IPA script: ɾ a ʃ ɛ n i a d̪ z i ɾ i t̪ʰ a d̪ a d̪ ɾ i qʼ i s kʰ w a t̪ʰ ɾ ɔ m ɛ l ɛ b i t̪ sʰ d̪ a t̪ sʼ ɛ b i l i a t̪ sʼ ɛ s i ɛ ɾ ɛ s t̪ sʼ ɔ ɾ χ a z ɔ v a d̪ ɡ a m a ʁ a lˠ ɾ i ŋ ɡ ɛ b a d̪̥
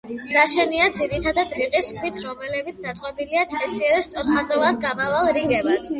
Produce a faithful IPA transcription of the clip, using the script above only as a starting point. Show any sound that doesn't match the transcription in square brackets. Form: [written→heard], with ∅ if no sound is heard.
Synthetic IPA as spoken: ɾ a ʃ ɛ n i a d̪ z i ɾ i t̪ʰ a d̪ a d̪ ɾ i qʼ i s kʰ w [a→i] t̪ʰ ɾ ɔ m ɛ l ɛ b i t̪ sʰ d̪ a t̪ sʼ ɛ b i l i a t̪ sʼ ɛ s i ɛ ɾ ɛ s t̪ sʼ ɔ ɾ χ a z ɔ v a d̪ ɡ a m a [ʁ→v] a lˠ ɾ i ŋ ɡ ɛ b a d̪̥